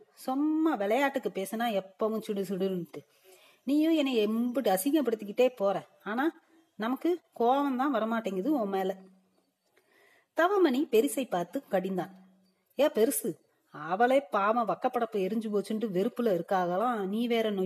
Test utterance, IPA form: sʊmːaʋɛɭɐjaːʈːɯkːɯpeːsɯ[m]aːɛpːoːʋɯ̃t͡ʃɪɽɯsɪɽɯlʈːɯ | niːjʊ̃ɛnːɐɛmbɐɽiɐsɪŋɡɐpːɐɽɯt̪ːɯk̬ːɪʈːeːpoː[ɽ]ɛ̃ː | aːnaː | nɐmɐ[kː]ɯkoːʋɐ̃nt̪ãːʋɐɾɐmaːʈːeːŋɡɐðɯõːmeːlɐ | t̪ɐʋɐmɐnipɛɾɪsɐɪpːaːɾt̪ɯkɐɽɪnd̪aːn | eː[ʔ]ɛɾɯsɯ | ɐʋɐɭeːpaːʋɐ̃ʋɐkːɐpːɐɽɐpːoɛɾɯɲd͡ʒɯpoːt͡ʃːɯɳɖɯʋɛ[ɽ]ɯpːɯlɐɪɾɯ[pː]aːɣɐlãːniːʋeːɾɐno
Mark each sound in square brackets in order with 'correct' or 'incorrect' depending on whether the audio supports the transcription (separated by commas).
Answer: incorrect, incorrect, correct, incorrect, incorrect, incorrect